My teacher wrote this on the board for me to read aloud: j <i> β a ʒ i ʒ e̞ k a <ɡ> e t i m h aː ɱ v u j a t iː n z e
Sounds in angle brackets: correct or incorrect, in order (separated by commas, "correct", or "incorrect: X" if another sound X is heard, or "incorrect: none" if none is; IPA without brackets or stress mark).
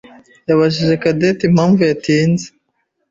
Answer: incorrect: a, incorrect: d